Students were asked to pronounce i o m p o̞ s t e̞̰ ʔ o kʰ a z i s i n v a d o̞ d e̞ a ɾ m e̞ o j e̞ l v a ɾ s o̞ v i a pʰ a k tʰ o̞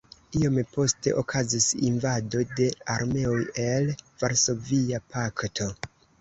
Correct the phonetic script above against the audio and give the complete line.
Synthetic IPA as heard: i o m p o̞ s t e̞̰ ʔ o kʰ a z i s i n v a d o̞ d e̞ a ɾ m e̞ o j e̞ l v a ɾ s o̞ v i a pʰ a k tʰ o̞